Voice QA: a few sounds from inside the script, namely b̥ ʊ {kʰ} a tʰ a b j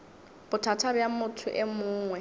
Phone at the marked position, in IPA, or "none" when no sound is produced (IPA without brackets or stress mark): tʰ